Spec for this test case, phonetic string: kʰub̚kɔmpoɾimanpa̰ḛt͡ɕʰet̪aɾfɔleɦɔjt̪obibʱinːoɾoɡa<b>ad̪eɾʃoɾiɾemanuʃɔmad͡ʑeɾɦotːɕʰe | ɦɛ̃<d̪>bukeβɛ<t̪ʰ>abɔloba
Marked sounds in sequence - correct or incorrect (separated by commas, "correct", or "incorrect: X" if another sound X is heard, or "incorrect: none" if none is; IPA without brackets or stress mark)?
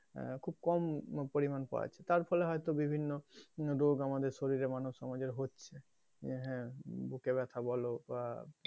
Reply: incorrect: m, incorrect: none, correct